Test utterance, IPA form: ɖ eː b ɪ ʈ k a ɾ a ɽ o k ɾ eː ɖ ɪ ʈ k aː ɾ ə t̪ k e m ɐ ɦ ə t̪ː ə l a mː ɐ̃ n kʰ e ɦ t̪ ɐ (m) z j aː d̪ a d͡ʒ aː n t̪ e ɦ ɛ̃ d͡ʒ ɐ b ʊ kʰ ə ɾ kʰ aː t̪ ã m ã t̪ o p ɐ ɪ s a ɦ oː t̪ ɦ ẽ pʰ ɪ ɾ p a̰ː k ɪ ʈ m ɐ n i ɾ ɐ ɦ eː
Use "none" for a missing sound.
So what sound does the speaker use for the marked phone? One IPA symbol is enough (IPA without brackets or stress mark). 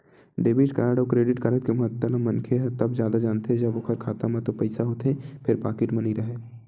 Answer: b